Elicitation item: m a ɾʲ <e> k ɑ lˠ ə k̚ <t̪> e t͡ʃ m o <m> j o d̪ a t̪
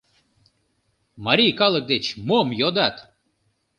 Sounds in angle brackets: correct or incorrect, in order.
incorrect, incorrect, correct

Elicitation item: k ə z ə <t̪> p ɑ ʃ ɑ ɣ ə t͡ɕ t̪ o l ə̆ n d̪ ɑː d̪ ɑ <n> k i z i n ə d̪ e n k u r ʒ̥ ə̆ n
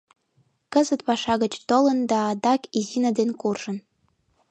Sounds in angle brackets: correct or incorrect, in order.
correct, incorrect

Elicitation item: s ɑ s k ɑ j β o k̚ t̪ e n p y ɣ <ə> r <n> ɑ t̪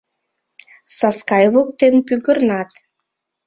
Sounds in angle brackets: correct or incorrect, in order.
correct, correct

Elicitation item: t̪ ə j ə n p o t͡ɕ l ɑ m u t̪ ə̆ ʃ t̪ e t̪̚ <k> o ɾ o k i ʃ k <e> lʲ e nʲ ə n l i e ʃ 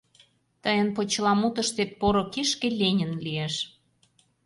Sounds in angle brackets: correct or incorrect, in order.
incorrect, correct

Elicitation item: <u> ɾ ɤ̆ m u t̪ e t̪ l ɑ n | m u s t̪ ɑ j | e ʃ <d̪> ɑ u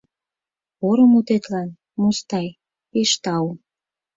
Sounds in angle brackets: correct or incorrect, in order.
incorrect, incorrect

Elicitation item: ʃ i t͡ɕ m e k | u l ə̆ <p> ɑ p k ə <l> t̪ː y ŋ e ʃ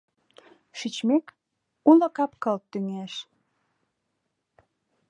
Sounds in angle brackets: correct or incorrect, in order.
incorrect, correct

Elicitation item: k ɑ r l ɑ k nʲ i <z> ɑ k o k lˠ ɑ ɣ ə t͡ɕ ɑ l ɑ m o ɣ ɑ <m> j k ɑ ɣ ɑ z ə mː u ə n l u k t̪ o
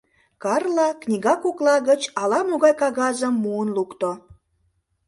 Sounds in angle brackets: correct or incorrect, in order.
incorrect, incorrect

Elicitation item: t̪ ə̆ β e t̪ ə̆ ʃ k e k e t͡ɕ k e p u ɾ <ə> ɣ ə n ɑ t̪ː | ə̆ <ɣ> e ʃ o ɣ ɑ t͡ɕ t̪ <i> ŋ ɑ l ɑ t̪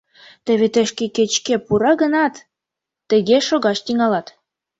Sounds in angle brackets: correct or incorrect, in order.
incorrect, correct, correct

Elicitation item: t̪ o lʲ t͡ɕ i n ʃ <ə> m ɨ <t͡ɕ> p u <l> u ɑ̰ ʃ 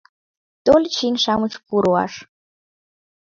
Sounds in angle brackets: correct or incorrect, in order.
incorrect, correct, incorrect

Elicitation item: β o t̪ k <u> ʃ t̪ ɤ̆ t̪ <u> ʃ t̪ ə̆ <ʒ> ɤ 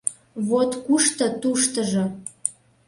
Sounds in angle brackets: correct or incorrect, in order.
correct, correct, correct

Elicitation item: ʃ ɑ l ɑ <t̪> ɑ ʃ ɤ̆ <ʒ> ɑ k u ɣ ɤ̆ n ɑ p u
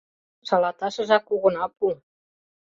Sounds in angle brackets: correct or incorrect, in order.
correct, correct

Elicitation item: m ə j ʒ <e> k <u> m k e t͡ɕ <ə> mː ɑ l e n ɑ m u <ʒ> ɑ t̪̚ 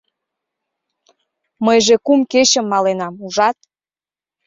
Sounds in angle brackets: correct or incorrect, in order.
correct, correct, correct, correct

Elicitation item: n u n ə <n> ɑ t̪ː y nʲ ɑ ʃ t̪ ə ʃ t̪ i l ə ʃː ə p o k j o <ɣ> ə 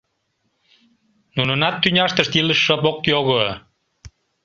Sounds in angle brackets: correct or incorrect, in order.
correct, correct

